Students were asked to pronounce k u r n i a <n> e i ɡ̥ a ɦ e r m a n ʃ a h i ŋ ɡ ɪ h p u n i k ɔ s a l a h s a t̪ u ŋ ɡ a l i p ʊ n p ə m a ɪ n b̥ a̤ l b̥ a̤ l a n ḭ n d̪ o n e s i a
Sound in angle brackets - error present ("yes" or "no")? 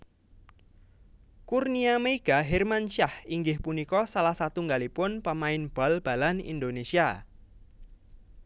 yes